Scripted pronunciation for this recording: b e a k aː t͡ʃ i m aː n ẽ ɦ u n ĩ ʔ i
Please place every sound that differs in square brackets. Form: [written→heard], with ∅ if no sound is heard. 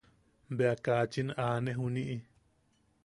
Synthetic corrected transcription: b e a k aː t͡ʃ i [m→n] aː n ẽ ɦ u n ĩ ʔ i